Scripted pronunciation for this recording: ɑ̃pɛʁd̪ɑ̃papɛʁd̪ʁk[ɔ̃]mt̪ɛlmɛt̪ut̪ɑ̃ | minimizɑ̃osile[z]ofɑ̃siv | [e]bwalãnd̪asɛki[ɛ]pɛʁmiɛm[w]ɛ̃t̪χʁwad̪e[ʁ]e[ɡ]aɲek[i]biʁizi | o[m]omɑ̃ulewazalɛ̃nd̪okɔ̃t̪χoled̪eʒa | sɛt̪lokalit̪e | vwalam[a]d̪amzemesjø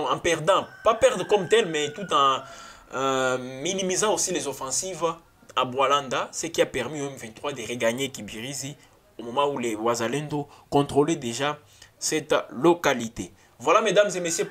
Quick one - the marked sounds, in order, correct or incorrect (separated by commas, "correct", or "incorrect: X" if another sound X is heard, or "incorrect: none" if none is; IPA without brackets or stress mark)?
incorrect: ɔ, correct, incorrect: a, incorrect: a, incorrect: v, correct, correct, correct, correct, incorrect: e